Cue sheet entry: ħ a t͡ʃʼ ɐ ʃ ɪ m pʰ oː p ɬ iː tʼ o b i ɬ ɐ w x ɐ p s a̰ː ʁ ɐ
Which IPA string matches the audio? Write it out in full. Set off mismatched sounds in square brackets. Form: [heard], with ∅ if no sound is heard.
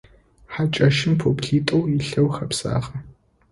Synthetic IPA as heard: ħ a t͡ʃʼ ɐ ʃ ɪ m pʰ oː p ɬ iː tʼ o [w] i ɬ ɐ w x ɐ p s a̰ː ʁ ɐ